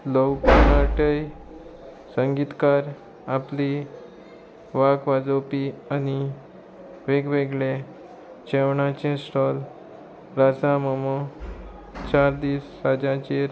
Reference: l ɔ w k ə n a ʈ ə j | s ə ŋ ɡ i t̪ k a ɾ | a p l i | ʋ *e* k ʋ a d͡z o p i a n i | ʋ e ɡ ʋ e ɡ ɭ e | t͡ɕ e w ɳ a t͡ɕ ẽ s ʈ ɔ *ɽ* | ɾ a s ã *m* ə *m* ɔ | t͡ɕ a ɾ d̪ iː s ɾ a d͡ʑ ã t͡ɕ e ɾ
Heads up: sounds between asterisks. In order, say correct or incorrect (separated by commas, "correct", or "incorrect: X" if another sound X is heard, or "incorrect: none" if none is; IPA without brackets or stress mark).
incorrect: a, incorrect: l, correct, correct